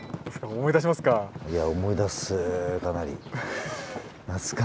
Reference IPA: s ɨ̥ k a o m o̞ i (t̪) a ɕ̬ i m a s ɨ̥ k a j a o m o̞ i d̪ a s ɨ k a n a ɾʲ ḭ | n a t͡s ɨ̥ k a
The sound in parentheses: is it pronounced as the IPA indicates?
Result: no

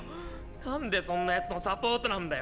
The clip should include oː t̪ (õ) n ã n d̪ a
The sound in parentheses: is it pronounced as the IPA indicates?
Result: no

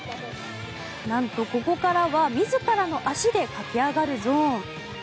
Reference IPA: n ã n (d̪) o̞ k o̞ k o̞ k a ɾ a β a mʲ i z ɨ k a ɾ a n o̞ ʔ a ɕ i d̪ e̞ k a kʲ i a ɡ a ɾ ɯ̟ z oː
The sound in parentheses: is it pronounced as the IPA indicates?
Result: no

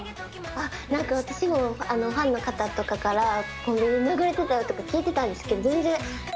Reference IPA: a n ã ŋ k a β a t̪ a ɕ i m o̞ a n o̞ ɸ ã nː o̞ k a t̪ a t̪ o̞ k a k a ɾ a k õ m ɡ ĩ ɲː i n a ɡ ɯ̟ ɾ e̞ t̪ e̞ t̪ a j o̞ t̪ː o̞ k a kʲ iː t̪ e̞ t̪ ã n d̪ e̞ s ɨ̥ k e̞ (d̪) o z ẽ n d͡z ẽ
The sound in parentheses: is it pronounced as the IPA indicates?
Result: yes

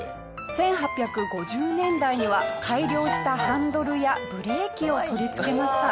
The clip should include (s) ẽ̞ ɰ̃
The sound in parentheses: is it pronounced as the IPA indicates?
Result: yes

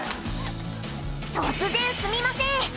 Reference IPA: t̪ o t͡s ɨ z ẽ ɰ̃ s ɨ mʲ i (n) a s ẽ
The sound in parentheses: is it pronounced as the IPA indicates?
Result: no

